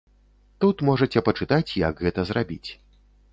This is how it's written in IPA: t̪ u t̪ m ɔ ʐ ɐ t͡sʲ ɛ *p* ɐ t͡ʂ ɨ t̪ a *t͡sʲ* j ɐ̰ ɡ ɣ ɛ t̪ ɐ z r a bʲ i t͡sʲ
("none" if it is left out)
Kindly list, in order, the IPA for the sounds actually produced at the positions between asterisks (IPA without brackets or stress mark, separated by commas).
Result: p, t͡sʲ